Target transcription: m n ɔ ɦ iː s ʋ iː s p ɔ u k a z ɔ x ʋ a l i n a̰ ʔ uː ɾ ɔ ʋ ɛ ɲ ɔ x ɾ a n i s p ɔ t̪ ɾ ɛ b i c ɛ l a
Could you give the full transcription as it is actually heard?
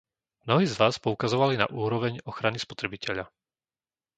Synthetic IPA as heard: m n ɔ ɦ iː z ʋ aː s p ɔ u k a z ɔ ʋ a l i n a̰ ʔ uː ɾ ɔ ʋ ɛ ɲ ɔ x ɾ a n i s p ɔ t̪ ɾ ɛ b i c ɛ ʎ a